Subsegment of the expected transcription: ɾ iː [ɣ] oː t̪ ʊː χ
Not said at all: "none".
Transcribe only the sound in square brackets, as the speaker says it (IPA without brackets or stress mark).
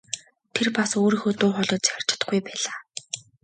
x